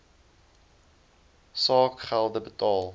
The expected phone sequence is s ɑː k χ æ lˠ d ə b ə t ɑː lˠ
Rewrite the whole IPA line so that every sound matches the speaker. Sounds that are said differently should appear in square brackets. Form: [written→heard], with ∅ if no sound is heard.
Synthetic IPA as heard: s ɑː k χ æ lˠ d ə b ə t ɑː lˠ

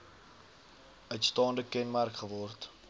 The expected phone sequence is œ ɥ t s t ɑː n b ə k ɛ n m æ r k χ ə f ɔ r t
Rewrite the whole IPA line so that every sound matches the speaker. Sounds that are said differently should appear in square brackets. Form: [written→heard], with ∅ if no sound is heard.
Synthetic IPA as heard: œ ɥ t s t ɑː n [b→d] ə k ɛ n m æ r k χ ə [f→v] ɔ r t

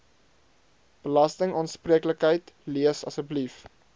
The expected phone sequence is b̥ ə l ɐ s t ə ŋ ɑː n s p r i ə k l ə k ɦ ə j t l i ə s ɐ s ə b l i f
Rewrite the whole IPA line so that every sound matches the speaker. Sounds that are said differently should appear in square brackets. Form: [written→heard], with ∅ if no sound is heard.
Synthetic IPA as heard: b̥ ə l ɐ s t ə ŋ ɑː n s p r i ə k l ə k ɦ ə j t l i ə s ɐ s ə b l i f

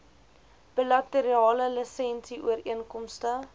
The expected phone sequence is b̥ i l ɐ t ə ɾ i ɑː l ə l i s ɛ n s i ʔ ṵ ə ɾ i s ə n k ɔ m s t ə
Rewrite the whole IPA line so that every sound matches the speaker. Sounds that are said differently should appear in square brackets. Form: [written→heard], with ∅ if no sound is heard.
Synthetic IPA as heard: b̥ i l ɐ t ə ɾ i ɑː l ə l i s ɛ n s i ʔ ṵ ə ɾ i [s→∅] ə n k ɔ m s t ə

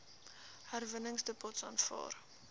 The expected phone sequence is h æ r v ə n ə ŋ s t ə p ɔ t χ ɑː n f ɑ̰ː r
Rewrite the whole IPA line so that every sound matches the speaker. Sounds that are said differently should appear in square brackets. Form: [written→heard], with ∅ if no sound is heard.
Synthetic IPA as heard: h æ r v ə n ə ŋ s [t→d] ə p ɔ t [χ→s] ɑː n f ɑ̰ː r

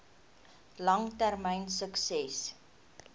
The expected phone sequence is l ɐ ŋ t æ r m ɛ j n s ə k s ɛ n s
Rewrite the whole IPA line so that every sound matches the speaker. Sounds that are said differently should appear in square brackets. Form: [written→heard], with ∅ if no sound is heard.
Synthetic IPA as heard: l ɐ ŋ t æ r m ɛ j n s ə k s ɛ [n→∅] s

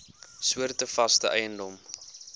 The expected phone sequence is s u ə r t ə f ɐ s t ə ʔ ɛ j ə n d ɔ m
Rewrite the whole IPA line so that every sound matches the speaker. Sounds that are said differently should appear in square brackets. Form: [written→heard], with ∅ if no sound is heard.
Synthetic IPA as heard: s u ə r t ə f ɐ s t ə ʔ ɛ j ə n d ɔ m

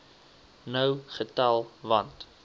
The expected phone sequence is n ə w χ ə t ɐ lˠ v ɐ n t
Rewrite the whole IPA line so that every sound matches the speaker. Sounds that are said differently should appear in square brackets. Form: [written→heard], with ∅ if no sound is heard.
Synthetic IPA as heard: n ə w χ ə t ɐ lˠ v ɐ n t

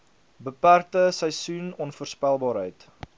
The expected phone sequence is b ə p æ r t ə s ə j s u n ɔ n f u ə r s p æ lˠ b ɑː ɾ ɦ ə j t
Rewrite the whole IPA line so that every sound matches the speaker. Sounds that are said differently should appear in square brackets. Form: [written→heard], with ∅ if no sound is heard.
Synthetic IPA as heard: b ə p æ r t ə s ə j s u n ɔ n f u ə r s p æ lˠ b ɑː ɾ ɦ ə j t

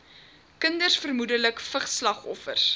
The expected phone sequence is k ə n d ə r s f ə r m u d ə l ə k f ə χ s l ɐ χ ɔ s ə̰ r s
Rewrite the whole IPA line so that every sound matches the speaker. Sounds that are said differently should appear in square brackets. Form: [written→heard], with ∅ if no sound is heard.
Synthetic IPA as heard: k ə n d ə r s f ə r m u d ə l ə k f ə χ s l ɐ χ ɔ [s→f] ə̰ r s

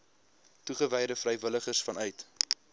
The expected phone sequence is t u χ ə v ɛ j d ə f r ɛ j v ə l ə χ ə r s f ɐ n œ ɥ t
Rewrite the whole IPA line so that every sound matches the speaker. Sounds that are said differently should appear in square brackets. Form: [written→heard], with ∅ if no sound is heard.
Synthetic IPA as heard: t u χ ə v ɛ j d ə f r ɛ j v ə l ə χ ə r s f ɐ n œ ɥ t

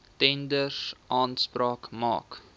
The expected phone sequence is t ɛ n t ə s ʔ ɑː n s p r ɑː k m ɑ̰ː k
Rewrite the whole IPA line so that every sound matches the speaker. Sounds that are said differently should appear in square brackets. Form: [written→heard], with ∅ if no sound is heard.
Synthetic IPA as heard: t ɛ n [t→d] ə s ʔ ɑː n s p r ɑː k m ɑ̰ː k

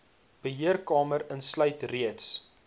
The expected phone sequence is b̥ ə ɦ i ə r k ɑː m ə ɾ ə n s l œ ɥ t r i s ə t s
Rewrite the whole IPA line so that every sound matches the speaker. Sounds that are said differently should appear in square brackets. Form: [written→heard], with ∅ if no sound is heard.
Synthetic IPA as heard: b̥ ə ɦ i ə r k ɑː m ə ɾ ə n s l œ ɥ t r i [s→∅] ə t s

